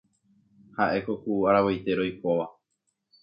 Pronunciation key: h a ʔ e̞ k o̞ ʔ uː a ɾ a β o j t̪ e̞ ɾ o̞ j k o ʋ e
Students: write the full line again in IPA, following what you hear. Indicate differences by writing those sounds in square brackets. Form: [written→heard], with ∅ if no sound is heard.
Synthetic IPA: h a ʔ e̞ k o̞ [ʔ→k] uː a ɾ a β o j t̪ e̞ ɾ o̞ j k o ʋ [e→a]

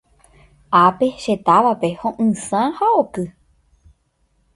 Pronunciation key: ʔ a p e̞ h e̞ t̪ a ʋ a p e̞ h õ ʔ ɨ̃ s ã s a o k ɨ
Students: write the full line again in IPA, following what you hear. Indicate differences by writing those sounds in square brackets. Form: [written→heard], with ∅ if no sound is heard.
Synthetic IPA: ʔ a p e̞ [h→ʃ] e̞ t̪ a ʋ a p e̞ h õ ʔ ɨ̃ s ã [s→h] a o k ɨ

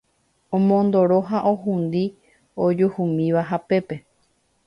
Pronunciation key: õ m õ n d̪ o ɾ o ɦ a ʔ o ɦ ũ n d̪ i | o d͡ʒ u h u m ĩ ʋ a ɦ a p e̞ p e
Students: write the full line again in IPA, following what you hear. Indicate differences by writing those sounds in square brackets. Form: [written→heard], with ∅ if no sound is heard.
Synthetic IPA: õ m õ n d̪ o ɾ o ɦ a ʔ o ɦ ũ n d̪ i | o d͡ʒ u h u m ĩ ʋ a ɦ a p e̞ p e

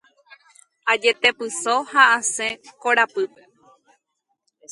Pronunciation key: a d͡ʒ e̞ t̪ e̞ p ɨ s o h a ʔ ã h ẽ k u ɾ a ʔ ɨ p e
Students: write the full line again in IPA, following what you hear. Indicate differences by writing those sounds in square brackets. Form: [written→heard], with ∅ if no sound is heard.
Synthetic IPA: a d͡ʒ e̞ t̪ e̞ p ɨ s o h a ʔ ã [h→s] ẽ k [u→o] ɾ a [ʔ→p] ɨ p e

